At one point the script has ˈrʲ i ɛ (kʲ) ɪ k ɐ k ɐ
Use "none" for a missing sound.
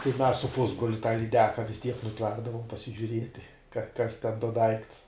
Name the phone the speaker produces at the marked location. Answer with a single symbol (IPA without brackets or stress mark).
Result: tʲ